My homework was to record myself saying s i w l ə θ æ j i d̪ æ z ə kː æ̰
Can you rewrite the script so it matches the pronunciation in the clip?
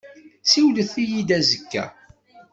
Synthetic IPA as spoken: s i w l ə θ i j i d̪ æ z ə kː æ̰